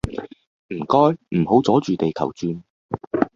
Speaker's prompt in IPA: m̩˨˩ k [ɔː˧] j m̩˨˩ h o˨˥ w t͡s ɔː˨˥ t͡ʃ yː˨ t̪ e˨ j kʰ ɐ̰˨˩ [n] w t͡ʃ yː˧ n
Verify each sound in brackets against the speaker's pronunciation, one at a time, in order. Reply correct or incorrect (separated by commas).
incorrect, incorrect